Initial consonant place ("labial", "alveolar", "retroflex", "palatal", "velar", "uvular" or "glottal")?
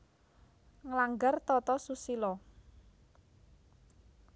velar